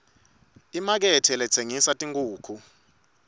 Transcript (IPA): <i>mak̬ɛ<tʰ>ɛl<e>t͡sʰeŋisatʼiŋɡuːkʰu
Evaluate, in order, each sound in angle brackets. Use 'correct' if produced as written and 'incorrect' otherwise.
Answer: correct, correct, incorrect: ɛ

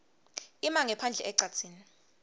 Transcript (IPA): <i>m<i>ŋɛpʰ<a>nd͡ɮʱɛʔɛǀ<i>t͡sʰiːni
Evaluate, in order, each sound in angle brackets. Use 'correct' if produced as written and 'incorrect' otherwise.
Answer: correct, incorrect: a, correct, incorrect: a

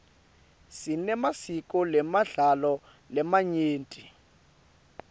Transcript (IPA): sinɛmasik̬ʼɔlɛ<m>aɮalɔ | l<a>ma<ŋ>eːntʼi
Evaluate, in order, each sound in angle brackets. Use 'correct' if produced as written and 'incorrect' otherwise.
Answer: correct, incorrect: ɛ, incorrect: ɲ

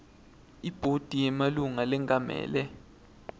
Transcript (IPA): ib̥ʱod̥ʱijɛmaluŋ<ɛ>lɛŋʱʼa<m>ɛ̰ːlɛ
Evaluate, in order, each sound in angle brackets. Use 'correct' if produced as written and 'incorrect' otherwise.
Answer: incorrect: a, correct

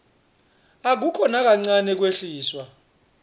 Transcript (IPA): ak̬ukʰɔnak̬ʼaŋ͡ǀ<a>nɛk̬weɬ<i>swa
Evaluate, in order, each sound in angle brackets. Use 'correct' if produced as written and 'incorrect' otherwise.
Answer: correct, incorrect: iː

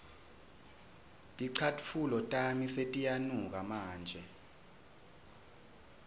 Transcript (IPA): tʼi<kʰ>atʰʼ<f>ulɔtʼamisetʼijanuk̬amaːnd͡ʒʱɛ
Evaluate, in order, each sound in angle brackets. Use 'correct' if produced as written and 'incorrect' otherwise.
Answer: incorrect: ǀʰ, correct

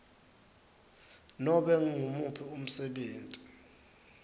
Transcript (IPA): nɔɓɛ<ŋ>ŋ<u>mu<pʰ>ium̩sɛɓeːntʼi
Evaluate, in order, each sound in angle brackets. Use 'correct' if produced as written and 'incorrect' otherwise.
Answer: correct, correct, correct

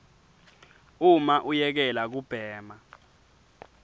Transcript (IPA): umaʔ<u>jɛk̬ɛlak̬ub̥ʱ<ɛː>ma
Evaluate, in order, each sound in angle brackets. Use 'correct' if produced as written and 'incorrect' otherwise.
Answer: correct, correct

